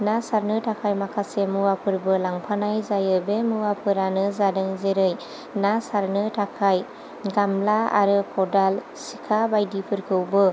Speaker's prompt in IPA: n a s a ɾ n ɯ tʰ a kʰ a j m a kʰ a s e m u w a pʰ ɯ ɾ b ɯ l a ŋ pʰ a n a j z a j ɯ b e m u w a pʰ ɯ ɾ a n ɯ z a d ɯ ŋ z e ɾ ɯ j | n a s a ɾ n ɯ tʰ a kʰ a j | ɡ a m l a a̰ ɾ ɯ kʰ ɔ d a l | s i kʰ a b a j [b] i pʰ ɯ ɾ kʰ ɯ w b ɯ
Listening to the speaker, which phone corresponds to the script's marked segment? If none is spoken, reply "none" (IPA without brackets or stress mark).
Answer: d